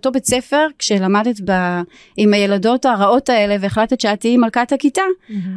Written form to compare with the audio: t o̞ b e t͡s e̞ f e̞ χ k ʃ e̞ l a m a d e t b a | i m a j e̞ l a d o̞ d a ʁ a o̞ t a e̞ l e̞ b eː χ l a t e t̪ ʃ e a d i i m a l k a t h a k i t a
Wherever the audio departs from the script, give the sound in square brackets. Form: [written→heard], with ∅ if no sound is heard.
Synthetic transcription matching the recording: t o̞ b e t͡s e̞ f e̞ [χ→ʁ] k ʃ e̞ l a m a d e t b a | i m a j e̞ l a d o̞ [d→t] a ʁ a o̞ t a e̞ l e̞ [b→v] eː χ l a t e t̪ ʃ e a [d→t] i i m a l k a t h a k i t a